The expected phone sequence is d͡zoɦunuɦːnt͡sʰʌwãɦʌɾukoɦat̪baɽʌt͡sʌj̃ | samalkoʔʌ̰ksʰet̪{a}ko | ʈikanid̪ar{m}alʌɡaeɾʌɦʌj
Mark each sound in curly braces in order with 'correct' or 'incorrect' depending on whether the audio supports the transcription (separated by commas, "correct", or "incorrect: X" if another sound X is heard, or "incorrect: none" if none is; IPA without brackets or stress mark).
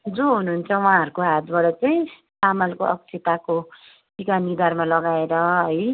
correct, correct